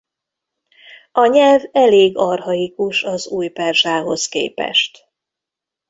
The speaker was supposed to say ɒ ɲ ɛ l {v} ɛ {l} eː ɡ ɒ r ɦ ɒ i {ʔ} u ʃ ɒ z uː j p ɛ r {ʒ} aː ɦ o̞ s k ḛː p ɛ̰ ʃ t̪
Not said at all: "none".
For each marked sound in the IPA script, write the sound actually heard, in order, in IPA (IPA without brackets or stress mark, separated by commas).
v, l, k, ʒ